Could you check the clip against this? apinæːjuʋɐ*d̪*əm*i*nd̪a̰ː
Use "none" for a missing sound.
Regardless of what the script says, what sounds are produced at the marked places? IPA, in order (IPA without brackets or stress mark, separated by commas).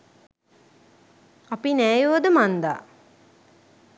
d̪, a